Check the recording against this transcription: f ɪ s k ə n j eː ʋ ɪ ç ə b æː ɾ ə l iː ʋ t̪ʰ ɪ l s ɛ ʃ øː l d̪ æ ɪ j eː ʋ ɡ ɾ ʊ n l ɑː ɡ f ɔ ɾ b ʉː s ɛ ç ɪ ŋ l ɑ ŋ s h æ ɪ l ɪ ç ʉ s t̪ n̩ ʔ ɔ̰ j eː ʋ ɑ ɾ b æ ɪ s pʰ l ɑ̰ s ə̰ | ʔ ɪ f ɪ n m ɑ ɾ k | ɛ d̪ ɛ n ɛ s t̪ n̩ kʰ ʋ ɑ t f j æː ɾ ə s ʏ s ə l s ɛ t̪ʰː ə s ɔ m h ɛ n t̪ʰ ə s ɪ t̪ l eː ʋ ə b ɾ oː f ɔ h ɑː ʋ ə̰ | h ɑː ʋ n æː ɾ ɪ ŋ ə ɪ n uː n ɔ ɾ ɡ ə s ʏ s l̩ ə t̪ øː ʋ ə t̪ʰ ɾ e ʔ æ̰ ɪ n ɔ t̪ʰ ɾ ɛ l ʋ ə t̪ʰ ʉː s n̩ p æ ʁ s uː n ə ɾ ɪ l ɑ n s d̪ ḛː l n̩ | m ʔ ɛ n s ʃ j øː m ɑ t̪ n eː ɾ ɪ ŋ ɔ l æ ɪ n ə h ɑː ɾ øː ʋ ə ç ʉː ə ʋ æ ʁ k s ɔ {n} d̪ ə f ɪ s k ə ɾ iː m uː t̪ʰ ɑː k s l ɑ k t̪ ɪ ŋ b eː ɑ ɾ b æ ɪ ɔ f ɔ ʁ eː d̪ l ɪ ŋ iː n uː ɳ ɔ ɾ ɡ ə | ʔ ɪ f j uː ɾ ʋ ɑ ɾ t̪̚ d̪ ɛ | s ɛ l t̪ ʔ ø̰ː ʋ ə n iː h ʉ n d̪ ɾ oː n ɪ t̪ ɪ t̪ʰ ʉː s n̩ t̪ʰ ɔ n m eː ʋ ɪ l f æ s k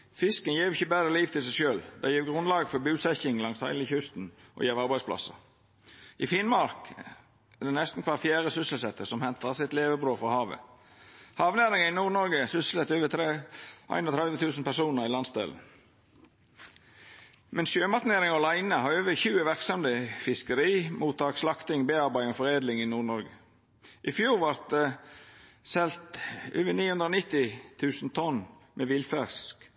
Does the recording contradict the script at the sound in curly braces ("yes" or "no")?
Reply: yes